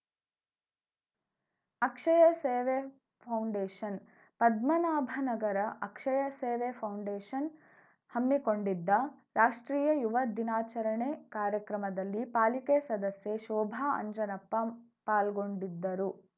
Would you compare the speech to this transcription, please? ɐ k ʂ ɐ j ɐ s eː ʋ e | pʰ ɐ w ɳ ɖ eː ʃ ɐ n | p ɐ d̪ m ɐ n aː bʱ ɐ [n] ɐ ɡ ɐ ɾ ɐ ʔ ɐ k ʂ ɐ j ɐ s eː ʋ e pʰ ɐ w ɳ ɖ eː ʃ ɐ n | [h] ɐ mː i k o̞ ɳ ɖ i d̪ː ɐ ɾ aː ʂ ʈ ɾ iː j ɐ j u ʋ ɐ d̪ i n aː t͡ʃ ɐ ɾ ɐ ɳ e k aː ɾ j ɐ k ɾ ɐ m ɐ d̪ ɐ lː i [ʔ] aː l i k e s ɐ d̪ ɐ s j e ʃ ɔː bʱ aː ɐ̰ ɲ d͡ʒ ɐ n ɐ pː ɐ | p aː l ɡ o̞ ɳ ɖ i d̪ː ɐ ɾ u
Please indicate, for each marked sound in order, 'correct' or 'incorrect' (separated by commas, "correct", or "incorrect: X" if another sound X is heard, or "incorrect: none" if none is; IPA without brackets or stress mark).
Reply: correct, correct, incorrect: p